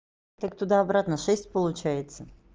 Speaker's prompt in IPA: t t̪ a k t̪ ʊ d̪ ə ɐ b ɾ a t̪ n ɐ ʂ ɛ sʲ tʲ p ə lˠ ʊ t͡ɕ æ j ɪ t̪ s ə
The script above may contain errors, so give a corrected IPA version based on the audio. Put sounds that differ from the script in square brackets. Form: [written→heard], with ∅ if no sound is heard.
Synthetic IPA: t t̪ a k t̪ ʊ d̪ [ə→a] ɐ b ɾ a t̪ n [ɐ→ə] ʂ ɛ sʲ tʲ p ə lˠ ʊ t͡ɕ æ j ɪ t̪ s ə